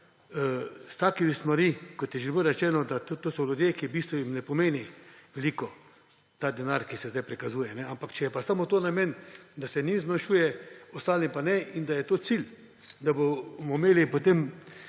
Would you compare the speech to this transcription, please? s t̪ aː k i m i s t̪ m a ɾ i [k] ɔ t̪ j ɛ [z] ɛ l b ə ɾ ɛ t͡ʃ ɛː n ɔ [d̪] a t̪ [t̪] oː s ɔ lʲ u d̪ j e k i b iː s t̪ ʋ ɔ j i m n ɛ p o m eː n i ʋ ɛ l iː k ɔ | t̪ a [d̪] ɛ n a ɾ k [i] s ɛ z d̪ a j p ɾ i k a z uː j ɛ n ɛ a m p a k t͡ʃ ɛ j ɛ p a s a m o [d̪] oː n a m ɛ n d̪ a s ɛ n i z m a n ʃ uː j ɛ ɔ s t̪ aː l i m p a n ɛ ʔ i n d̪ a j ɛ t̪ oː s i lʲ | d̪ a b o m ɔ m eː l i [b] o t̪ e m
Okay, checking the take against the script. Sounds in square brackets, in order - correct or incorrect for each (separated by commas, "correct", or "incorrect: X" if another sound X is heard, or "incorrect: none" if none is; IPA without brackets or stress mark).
correct, incorrect: ʒ, correct, correct, correct, correct, incorrect: t̪, incorrect: p